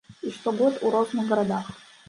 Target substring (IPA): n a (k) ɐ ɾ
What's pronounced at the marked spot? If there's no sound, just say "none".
ɡ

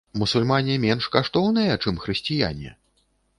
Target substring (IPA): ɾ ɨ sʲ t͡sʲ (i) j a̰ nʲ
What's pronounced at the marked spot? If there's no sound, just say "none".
i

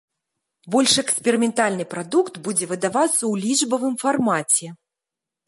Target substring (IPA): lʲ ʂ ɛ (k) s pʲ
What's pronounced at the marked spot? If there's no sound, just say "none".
k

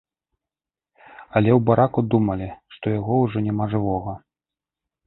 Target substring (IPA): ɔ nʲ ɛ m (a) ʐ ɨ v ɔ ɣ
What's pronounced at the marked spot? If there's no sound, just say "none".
a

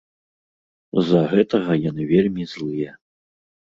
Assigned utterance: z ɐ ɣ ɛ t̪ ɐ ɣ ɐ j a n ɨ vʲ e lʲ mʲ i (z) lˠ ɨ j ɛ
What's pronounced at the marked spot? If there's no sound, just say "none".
z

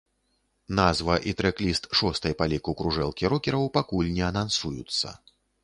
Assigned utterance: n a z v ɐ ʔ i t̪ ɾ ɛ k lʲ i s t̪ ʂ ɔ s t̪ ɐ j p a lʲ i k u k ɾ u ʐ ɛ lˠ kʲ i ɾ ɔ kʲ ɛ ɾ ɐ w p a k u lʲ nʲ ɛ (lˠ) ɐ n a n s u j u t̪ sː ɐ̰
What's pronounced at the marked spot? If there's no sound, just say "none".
none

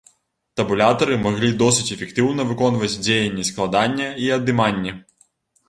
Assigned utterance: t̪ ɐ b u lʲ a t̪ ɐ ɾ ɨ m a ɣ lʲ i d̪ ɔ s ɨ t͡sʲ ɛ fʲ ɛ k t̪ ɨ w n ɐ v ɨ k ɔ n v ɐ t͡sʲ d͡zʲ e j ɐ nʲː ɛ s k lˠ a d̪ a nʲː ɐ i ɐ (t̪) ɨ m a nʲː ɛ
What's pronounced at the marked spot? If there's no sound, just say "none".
d̪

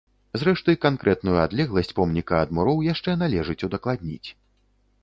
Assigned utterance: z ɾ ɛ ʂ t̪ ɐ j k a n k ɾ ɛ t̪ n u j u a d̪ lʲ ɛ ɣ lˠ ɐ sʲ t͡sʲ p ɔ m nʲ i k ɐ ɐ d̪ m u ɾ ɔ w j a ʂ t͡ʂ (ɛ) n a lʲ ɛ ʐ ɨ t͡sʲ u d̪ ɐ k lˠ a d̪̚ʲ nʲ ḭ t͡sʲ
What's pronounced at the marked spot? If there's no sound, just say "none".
ɛ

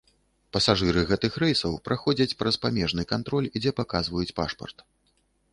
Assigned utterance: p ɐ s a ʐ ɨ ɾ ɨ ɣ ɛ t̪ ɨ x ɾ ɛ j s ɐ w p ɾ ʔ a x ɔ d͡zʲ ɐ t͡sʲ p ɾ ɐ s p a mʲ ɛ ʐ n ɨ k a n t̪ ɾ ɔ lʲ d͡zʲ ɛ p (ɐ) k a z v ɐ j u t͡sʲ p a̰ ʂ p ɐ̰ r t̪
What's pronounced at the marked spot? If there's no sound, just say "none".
a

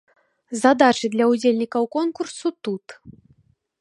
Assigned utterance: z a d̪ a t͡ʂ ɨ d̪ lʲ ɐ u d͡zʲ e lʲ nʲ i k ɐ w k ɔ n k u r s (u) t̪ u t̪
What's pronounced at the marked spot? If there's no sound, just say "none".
u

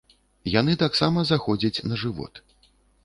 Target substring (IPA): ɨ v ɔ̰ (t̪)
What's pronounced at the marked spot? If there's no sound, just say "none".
t̪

